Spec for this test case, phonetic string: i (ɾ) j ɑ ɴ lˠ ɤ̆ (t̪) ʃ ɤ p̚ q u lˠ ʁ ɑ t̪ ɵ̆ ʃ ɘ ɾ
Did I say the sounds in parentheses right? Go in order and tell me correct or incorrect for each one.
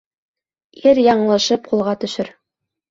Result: correct, incorrect

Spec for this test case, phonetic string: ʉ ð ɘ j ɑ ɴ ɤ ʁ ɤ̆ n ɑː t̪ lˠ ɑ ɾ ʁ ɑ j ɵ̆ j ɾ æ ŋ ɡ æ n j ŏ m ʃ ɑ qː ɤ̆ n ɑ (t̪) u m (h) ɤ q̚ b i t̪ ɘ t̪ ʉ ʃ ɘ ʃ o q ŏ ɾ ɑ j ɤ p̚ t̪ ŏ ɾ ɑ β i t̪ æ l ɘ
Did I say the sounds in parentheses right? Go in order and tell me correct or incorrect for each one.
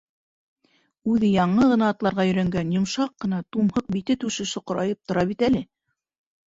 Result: correct, correct

